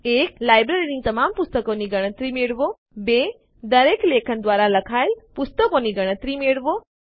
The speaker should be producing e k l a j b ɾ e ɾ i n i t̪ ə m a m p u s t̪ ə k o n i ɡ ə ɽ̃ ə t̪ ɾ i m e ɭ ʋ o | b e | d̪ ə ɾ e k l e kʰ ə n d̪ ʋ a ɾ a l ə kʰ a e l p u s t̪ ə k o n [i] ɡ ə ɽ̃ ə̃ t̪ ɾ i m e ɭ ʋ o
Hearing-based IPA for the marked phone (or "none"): i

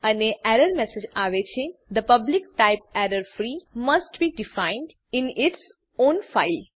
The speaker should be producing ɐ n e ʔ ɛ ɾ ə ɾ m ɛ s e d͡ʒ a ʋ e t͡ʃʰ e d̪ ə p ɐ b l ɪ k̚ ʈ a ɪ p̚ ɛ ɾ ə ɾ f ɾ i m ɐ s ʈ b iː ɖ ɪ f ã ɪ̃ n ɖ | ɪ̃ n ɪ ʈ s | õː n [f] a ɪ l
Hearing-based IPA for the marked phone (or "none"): f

